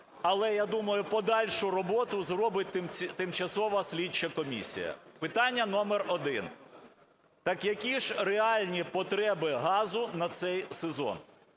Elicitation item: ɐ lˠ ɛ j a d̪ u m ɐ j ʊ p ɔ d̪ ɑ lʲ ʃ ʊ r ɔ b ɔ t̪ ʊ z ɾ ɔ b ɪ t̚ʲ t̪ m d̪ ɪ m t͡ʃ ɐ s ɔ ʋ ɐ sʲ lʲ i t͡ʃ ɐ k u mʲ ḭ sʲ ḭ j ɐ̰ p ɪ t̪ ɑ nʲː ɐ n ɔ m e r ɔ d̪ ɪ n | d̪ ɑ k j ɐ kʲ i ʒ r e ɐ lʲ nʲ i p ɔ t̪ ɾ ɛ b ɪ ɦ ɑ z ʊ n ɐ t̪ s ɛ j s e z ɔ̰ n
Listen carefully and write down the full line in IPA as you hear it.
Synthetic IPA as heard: ɐ lˠ ɛ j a d̪ u m ɐ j ʊ p ɔ d̪ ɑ lʲ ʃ ʊ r ɔ b ɔ t̪ ʊ z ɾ ɔ b ɪ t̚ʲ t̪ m t̪ ɪ m t͡ʃ ɐ s ɔ ʋ ɐ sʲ lʲ i t͡ʃ ɐ k ɔ mʲ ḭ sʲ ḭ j ɐ̰ p ɪ t̪ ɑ nʲː ɐ n ɔ m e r ɔ d̪ ɪ n | t̪ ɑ k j ɐ kʲ i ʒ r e ɑ lʲ nʲ i p ɔ t̪ ɾ ɛ b ɪ ɦ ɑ z ʊ n ɐ t̪ s ɛ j s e z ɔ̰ n